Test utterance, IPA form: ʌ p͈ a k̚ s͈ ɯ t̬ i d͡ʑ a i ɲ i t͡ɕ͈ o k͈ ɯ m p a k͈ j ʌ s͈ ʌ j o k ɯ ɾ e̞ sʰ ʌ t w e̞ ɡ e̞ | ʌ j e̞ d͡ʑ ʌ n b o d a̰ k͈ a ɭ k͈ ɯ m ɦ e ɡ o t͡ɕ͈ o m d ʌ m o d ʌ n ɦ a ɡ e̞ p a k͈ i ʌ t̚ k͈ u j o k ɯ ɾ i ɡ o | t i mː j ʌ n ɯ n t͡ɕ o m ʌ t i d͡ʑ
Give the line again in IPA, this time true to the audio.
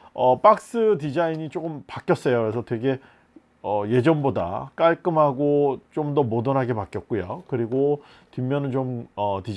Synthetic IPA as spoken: ʌ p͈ a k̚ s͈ ɯ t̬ i d͡ʑ a i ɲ i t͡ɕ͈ o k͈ ɯ m p a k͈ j ʌ s͈ ʌ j o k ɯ ɾ e̞ sʰ ʌ t w e̞ ɡ e̞ | ʌ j e̞ d͡ʑ ʌ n b o d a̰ k͈ a ɭ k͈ ɯ m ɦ a ɡ o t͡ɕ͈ o m d ʌ m o d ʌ n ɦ a ɡ e̞ p a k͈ j ʌ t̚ k͈ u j o k ɯ ɾ i ɡ o | t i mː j ʌ n ɯ n t͡ɕ o m ʌ t i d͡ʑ